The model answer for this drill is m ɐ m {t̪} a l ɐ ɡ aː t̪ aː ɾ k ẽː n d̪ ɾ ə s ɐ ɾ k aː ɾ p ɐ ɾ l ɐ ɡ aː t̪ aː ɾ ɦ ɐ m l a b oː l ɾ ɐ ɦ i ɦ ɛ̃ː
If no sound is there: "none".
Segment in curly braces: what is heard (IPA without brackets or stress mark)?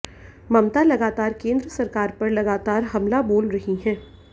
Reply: t̪